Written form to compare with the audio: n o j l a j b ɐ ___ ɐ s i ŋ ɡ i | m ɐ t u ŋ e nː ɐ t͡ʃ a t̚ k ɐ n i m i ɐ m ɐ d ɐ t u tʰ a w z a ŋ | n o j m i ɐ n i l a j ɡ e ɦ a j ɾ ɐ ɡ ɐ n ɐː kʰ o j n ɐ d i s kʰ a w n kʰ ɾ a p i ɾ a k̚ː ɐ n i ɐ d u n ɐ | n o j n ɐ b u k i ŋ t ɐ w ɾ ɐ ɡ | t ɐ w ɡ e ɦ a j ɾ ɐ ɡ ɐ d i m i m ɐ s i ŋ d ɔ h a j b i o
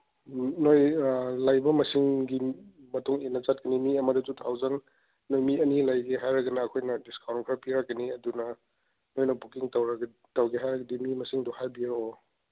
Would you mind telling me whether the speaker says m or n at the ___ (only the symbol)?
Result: m